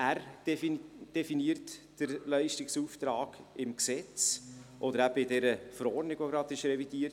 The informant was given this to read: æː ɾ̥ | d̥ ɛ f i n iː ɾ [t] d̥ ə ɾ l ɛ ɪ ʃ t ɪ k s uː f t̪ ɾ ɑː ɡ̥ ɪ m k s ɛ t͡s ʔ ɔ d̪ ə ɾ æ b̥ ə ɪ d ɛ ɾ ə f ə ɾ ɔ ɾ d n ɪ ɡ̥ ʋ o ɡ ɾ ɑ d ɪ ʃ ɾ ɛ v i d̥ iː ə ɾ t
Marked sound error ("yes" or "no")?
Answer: no